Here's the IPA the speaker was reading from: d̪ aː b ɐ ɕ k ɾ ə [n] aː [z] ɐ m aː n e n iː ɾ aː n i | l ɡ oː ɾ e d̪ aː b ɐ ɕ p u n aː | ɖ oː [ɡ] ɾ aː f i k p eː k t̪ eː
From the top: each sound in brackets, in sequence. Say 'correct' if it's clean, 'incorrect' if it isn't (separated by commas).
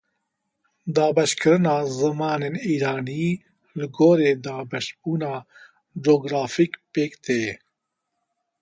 correct, correct, correct